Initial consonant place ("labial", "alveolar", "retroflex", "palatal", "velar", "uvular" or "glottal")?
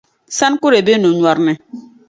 alveolar